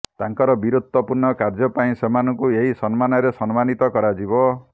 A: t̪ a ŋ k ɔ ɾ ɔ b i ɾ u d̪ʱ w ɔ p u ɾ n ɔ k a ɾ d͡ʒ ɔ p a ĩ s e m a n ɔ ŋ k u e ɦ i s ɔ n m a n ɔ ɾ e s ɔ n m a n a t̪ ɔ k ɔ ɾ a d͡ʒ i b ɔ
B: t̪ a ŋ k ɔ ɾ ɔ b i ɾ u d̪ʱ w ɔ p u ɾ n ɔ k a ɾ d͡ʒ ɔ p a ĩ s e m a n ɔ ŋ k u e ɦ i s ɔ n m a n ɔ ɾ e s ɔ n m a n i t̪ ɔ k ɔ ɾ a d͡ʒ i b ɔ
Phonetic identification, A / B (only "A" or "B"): B